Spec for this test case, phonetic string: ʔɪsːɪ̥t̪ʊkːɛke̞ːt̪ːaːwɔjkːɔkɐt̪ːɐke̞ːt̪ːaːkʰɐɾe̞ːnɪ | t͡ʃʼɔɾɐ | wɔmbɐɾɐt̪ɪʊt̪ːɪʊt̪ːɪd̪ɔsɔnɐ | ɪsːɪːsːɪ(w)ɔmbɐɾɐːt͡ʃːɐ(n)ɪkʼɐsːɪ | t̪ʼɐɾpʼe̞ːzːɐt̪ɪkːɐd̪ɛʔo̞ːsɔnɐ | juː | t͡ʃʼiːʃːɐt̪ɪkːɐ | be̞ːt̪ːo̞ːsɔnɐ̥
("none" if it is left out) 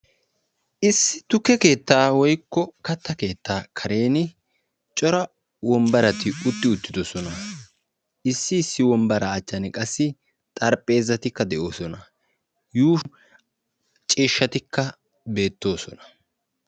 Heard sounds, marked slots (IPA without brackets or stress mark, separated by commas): w, n